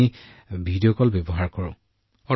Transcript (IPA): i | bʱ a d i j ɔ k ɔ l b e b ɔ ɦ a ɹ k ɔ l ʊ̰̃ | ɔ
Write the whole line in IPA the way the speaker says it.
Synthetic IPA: i | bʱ i d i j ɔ k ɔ l b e b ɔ ɦ a ɹ k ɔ ɹ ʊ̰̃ | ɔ